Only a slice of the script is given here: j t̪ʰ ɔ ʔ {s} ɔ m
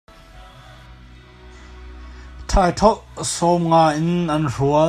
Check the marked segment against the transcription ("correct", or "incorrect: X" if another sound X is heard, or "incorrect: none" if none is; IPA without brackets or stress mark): correct